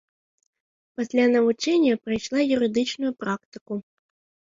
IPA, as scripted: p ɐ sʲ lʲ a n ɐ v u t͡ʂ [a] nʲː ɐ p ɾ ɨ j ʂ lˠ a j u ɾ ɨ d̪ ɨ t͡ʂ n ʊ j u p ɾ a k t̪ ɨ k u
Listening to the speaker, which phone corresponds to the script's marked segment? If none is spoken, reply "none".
ɛ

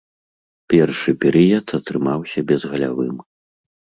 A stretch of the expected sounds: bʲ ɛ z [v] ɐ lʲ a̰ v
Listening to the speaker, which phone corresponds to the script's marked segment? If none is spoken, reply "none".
ɣ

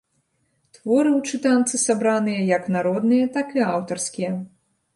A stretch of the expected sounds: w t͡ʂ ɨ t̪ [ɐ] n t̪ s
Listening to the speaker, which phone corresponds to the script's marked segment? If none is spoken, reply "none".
a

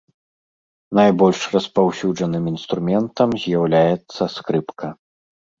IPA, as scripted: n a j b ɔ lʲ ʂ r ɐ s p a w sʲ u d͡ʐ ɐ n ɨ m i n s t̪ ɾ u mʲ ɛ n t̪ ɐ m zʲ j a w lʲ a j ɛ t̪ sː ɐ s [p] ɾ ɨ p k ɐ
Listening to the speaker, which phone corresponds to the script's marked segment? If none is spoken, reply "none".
k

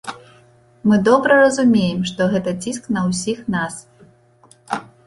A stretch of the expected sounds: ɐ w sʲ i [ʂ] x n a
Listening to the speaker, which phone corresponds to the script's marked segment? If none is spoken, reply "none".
none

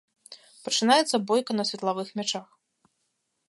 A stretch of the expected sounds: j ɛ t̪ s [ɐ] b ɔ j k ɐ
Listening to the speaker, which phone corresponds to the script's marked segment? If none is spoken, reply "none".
ɐ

